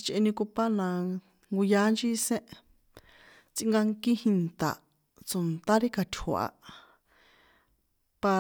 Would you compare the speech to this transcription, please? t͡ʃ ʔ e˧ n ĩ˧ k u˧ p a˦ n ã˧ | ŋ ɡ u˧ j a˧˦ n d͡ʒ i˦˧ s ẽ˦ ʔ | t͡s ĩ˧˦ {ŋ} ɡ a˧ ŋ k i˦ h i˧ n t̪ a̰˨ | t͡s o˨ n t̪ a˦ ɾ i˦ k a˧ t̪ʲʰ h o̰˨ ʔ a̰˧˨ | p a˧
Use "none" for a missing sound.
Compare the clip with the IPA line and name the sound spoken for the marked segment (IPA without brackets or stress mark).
ŋ